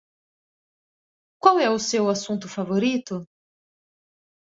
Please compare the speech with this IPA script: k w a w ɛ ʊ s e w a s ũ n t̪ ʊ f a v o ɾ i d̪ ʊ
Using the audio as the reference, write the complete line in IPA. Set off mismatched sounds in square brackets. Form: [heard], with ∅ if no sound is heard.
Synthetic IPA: k w a w ɛ ʊ s e w a s ũ n t̪ ʊ f a v o ɾ i [t̪] ʊ